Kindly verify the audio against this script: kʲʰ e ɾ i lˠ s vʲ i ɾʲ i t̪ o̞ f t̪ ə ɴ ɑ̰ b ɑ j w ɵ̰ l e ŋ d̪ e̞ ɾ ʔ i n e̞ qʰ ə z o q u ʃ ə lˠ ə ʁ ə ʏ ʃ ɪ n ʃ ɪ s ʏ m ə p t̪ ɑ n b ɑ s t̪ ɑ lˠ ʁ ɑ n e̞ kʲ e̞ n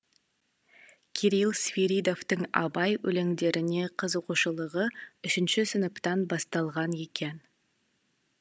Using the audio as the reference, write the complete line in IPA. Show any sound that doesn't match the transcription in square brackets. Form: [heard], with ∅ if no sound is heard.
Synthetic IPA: kʲʰ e ɾ i lˠ s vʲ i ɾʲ i [d̪] o̞ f t̪ ə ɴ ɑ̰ b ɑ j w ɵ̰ l e ŋ d̪ e̞ ɾ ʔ [ɪ] n e̞ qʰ ə z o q u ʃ ə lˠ ə ʁ ə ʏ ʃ ɪ n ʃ ɪ s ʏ [n] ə p t̪ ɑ n b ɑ s t̪ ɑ lˠ ʁ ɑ n e̞ kʲ e̞ n

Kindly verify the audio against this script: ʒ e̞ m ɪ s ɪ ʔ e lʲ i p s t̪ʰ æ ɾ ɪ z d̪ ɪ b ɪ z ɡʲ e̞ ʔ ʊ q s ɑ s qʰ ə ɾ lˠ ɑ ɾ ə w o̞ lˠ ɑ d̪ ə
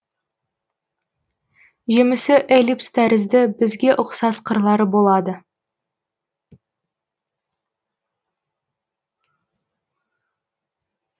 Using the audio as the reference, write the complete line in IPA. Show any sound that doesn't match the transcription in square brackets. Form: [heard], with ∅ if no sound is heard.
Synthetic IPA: ʒ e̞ m ɪ s ɪ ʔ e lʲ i p s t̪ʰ æ ɾ ɪ z d̪ ɪ b ɪ z ɡʲ e̞ ʔ ʊ q s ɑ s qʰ ə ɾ lˠ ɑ ɾ ə [b] o̞ lˠ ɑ d̪ ə

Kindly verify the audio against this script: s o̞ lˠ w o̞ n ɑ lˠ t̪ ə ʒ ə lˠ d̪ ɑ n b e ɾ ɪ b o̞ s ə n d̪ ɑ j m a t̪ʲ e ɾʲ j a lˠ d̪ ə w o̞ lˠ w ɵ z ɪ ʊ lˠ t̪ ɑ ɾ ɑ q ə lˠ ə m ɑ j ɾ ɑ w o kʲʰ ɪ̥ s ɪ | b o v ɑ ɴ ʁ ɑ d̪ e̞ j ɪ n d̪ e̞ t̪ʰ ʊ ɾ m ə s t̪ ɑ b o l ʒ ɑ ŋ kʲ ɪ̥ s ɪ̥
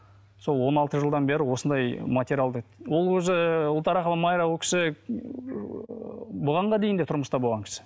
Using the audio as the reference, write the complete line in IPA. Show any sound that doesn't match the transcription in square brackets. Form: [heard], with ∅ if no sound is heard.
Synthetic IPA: s o̞ lˠ w o̞ n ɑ lˠ t̪ ə ʒ ə lˠ d̪ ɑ n b e ɾ ɪ [w] o̞ s ə n d̪ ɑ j m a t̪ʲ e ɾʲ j a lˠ d̪ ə w o̞ lˠ w ɵ z ɪ ʊ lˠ t̪ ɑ ɾ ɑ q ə lˠ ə m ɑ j ɾ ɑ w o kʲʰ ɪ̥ s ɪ | b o [ʁ] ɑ ɴ ʁ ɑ d̪ e̞ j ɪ n d̪ e̞ t̪ʰ ʊ ɾ m ə s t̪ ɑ b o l [ʁ] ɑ ŋ kʲ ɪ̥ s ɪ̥

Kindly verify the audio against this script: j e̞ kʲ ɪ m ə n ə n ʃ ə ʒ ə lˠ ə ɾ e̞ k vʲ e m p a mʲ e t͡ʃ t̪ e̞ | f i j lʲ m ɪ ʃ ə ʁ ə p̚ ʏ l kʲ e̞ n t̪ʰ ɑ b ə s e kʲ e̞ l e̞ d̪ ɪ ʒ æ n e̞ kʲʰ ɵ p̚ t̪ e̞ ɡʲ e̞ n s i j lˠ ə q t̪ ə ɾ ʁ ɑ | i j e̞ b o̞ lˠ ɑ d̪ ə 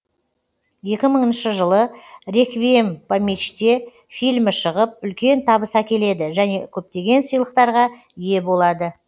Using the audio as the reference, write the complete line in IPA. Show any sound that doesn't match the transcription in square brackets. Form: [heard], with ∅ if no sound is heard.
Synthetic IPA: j e̞ kʲ ɪ m ə [ɴ] ə n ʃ ə ʒ ə lˠ ə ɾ e̞ k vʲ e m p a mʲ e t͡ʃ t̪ e̞ | f i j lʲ m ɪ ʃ ə ʁ ə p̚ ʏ l kʲ e̞ n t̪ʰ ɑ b ə s [æ] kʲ e̞ l e̞ d̪ ɪ ʒ æ n e̞ kʲʰ ɵ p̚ t̪ e̞ ɡʲ e̞ n s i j lˠ ə q t̪ [ɑ] ɾ ʁ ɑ | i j e̞ b o̞ lˠ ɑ d̪ ə

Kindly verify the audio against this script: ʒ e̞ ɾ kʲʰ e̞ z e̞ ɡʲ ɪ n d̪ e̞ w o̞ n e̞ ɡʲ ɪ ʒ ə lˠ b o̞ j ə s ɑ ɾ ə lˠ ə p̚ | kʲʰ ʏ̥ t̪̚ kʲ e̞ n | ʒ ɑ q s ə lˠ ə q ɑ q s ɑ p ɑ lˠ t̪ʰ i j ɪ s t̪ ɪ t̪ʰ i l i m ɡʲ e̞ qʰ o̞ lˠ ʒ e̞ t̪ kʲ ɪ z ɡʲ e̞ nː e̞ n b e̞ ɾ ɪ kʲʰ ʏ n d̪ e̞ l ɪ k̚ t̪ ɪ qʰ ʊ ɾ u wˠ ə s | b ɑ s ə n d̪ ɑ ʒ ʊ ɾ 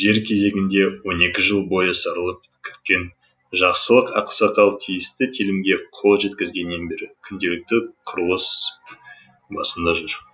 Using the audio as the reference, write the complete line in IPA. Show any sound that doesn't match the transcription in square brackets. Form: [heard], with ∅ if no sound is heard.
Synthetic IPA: ʒ e̞ ɾ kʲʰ e̞ z e̞ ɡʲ ɪ n d̪ e̞ w o̞ n e̞ [kʲ] ɪ ʒ ə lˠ b o̞ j ə s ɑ ɾ ə lˠ ə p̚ | kʲʰ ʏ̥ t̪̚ kʲ e̞ n | ʒ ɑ q s ə lˠ ə q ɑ q s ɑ [q] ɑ lˠ t̪ʰ i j ɪ s t̪ ɪ t̪ʰ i l [ɪ] m ɡʲ e̞ qʰ o̞ lˠ ʒ e̞ t̪ kʲ ɪ z ɡʲ e̞ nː e̞ n b e̞ ɾ ɪ kʲʰ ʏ n d̪ e̞ l ɪ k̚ t̪ ɪ qʰ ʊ ɾ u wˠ ə s | b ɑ s ə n d̪ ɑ ʒ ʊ ɾ

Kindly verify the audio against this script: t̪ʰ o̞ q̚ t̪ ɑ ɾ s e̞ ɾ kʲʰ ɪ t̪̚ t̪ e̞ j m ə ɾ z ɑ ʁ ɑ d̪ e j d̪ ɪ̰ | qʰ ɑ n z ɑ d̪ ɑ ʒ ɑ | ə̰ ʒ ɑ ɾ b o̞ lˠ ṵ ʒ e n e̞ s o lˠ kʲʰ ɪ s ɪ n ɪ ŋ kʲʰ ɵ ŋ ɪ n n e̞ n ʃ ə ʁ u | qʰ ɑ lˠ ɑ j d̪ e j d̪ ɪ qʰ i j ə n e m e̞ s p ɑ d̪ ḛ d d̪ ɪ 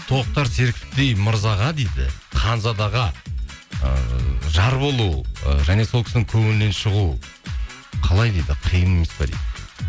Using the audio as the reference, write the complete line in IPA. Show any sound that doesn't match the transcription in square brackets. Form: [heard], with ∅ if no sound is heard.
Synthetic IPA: t̪ʰ o̞ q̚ t̪ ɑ ɾ s e̞ ɾ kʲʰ ɪ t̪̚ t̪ e̞ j m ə ɾ z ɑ ʁ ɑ d̪ e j d̪ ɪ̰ | qʰ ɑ n z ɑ d̪ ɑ [ʁ] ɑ | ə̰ ʒ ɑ ɾ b o̞ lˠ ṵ ʒ [æ] n e̞ s o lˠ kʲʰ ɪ s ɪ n ɪ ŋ kʲʰ ɵ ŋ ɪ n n e̞ n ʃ ə ʁ u | qʰ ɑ lˠ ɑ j d̪ e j d̪ ɪ qʰ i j ə n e m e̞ s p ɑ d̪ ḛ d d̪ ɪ

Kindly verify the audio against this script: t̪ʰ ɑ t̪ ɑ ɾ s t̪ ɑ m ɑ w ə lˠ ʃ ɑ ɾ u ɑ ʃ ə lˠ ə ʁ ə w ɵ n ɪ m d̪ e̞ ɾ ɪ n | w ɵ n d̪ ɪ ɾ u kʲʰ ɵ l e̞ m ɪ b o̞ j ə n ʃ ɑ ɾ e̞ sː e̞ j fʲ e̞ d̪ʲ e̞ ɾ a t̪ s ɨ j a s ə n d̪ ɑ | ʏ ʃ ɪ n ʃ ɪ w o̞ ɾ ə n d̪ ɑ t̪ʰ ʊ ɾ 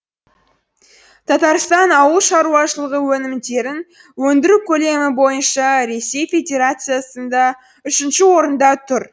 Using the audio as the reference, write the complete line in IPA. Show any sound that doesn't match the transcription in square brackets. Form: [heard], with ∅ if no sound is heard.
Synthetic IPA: t̪ʰ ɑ t̪ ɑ ɾ s t̪ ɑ [n] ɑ w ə lˠ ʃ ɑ ɾ u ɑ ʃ ə lˠ ə ʁ ə w ɵ n ɪ m d̪ e̞ ɾ ɪ n | w ɵ n d̪ ɪ ɾ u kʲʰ ɵ l e̞ m ɪ b o̞ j ə n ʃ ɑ ɾ e̞ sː e̞ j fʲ e̞ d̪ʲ e̞ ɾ a t̪ s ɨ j a s ə n d̪ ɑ | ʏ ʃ ɪ n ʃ ɪ w o̞ ɾ ə n d̪ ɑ t̪ʰ ʊ ɾ

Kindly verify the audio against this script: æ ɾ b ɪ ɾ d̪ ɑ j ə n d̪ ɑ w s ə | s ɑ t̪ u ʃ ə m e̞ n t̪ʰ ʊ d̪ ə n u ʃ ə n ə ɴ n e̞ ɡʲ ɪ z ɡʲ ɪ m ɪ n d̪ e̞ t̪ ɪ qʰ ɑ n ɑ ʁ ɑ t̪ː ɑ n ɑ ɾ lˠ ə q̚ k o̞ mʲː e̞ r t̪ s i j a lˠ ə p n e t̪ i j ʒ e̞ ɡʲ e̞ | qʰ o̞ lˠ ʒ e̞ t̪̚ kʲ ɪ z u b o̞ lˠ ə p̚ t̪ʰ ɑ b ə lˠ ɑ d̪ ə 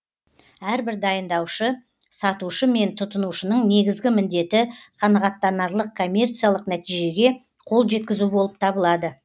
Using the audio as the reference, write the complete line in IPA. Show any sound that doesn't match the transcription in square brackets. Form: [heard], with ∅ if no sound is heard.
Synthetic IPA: æ ɾ b ɪ ɾ d̪ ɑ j ə n d̪ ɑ w [ʃ] ə | s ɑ t̪ u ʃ ə m e̞ n t̪ʰ ʊ [t̪] ə n u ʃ ə n ə ɴ n e̞ ɡʲ ɪ z ɡʲ ɪ m ɪ n d̪ e̞ t̪ ɪ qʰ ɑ n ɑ ʁ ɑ t̪ː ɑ n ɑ ɾ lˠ ə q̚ [kʰ] o̞ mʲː e̞ r t̪ s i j a lˠ ə [q] n [æ] t̪ i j ʒ e̞ ɡʲ e̞ | qʰ o̞ lˠ ʒ e̞ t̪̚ kʲ ɪ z u b o̞ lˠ ə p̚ t̪ʰ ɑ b ə lˠ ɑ d̪ ə

